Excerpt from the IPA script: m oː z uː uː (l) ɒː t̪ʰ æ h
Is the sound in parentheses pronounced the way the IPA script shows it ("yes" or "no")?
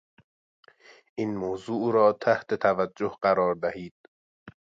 no